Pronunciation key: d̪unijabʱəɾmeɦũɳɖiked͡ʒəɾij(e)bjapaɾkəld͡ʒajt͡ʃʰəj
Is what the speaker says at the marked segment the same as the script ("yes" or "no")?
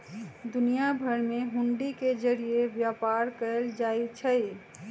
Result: yes